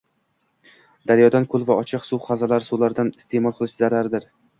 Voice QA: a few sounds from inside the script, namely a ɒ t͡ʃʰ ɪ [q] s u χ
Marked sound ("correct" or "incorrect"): correct